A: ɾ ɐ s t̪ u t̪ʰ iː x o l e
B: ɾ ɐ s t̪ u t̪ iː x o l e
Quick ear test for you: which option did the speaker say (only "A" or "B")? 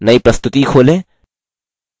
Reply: B